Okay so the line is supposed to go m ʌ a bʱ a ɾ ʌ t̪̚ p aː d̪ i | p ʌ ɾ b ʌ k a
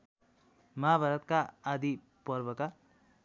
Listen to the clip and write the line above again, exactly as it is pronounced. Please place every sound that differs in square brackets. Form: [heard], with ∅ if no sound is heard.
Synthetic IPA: m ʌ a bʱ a ɾ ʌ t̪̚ [k] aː d̪ i | p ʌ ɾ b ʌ k a

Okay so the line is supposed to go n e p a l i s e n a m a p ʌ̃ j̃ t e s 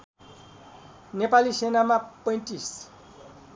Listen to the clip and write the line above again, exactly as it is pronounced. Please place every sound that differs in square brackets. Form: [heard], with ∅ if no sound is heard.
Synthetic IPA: n e p a l i s e n a m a p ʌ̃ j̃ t [i] s

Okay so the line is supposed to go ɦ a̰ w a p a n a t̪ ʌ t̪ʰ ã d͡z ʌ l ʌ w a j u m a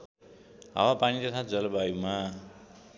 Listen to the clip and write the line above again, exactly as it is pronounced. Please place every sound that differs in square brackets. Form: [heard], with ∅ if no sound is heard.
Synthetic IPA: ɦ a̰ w a p a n [i] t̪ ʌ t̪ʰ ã d͡z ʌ l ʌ [b] a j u m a

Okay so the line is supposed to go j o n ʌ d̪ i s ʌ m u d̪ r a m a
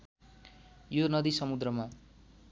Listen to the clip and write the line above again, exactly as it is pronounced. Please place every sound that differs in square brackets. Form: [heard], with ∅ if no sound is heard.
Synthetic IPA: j o n ʌ d̪ i s ʌ m u d̪ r [ʌ] m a

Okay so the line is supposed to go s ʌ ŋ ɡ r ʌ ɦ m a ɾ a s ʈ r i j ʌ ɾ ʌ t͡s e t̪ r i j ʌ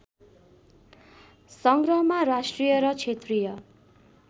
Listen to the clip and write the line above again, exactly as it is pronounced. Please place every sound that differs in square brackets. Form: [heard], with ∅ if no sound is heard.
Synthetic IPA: s ʌ ŋ ɡ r ʌ ɦ m a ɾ a s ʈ r i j ʌ ɾ ʌ [t͡sʰ] e t̪ r i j ʌ

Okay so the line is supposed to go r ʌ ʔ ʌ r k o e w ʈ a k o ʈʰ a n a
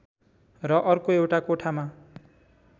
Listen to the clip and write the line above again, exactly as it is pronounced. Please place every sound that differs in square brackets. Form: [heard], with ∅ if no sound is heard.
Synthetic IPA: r ʌ ʔ ʌ r k o e w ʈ a k o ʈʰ a [m] a

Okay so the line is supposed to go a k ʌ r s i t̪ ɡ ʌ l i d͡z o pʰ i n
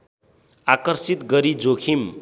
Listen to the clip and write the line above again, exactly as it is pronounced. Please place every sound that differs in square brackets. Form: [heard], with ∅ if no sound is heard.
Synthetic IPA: a k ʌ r s i t̪ ɡ ʌ [ɾ] i d͡z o [kʰ] i [m]

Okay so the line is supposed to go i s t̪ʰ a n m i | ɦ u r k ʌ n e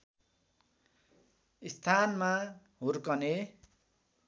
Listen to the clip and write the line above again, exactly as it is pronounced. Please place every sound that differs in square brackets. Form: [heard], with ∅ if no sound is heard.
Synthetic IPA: i s t̪ʰ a n m [a] | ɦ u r k ʌ n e

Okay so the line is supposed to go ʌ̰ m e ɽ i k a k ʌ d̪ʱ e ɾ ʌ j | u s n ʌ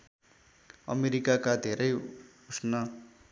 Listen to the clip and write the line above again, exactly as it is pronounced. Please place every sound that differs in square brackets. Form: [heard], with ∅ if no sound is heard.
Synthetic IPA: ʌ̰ m e [ɾ] i k a k [a] d̪ʱ e ɾ ʌ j | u s n ʌ

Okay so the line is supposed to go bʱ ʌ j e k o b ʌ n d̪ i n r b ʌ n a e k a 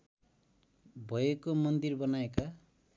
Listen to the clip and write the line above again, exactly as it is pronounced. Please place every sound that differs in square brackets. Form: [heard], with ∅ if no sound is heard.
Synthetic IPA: bʱ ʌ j e k o [m] ʌ n d̪ i [∅] r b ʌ n a e k a

